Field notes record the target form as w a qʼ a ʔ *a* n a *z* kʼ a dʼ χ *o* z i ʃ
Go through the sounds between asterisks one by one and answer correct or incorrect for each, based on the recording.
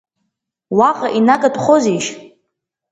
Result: incorrect: i, incorrect: none, correct

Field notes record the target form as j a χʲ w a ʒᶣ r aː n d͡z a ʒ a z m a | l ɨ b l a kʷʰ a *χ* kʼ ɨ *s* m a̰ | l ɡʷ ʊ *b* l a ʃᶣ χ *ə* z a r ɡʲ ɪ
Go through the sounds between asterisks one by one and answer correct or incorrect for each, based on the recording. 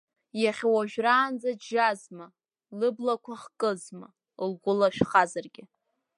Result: correct, incorrect: z, incorrect: none, incorrect: a

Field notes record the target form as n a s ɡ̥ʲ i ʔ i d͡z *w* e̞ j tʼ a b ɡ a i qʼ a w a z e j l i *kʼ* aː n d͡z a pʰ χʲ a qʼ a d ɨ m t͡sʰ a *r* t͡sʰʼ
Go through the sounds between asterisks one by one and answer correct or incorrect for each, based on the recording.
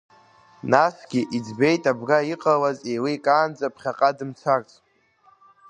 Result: incorrect: b, correct, correct

